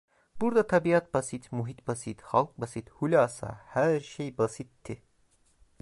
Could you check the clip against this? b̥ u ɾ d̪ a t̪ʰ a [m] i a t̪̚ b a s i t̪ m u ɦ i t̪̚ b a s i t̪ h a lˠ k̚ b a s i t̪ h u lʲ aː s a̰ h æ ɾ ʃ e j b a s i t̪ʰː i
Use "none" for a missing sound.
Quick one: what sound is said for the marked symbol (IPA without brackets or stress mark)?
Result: b